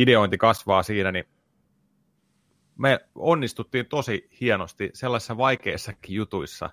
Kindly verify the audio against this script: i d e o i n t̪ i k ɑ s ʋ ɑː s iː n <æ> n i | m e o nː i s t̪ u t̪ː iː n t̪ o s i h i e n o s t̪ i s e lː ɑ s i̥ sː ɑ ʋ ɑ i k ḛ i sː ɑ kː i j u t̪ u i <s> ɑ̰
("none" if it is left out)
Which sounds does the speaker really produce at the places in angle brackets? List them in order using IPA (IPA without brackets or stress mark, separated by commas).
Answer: æ, sː